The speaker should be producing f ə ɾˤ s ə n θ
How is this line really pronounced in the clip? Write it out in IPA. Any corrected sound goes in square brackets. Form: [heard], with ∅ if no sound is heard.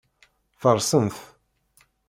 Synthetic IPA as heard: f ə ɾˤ s ə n θ